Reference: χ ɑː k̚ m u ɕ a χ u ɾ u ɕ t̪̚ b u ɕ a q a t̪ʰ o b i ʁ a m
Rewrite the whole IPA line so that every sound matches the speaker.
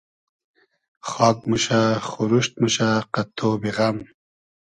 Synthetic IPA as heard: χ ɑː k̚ m u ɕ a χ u ɾ u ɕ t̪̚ m u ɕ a q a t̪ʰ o b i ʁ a m